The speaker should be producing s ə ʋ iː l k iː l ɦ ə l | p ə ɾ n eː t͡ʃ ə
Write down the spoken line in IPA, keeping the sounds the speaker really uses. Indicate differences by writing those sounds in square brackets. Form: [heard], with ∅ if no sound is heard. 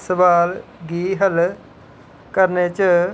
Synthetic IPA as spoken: s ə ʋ [aː] l [ɡ] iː [∅] ɦ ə l | [k] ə ɾ n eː t͡ʃ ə